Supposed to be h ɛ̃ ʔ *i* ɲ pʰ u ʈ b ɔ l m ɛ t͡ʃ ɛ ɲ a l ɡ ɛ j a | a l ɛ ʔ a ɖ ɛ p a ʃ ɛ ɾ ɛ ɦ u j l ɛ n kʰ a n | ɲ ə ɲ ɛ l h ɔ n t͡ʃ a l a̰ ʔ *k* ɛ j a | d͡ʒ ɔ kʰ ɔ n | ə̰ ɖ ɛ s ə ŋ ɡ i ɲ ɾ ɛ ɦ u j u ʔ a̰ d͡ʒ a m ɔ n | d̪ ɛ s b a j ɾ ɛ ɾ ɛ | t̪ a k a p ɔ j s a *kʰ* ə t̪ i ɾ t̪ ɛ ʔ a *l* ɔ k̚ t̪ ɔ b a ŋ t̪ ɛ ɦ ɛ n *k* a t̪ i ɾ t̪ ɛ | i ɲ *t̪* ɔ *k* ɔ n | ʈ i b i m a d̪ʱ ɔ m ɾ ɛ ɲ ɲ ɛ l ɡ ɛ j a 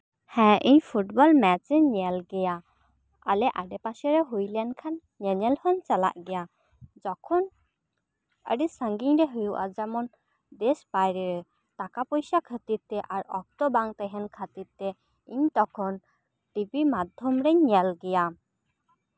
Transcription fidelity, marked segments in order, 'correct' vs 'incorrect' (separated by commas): correct, incorrect, correct, incorrect, incorrect, correct, incorrect